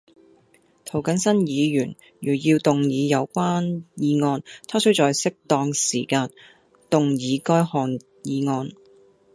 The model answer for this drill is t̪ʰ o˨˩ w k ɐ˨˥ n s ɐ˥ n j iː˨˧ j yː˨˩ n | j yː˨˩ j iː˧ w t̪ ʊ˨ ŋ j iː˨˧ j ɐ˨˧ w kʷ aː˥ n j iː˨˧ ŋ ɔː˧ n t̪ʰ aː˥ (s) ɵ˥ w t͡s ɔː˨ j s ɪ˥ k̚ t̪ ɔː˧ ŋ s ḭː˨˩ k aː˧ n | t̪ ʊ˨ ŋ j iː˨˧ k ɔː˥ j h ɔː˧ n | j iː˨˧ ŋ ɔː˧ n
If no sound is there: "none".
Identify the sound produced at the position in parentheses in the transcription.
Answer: s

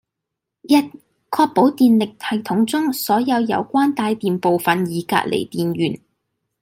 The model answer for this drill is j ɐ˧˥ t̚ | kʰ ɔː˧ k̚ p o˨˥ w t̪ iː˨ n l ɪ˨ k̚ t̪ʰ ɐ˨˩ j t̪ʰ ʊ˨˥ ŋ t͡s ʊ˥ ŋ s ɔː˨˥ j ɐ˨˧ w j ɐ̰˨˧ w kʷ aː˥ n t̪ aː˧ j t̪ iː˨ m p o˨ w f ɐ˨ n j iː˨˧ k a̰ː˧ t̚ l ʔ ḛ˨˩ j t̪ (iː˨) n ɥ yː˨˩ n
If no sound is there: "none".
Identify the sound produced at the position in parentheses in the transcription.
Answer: iː˨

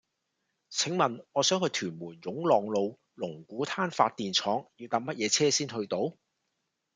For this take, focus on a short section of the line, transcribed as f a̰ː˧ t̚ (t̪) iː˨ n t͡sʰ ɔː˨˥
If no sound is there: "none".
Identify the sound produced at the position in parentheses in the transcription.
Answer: t̪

